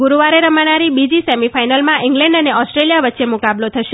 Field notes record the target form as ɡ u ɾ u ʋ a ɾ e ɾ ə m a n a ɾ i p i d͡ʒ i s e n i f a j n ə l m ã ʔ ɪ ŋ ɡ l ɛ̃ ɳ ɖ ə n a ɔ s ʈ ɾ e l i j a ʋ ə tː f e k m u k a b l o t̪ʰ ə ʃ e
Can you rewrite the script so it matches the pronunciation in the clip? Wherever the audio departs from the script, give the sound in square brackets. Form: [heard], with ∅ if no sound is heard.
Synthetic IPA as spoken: ɡ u ɾ u ʋ a ɾ e ɾ ə m a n a ɾ i [b] i d͡ʒ i s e [m] i f a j n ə l m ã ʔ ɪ ŋ ɡ l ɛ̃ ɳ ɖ ə n [e] ɔ s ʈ ɾ e l i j a ʋ ə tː [ʃ] e [∅] m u k a b l o t̪ʰ ə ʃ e